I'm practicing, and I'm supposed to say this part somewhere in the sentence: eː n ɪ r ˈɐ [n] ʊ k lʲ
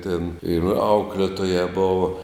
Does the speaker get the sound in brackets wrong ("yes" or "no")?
yes